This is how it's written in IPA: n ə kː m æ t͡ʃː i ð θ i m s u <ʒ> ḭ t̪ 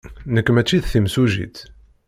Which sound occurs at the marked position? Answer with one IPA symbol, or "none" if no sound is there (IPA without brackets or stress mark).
ʒ